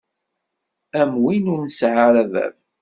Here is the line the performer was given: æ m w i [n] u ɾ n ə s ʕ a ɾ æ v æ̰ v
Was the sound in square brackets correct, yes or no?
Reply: yes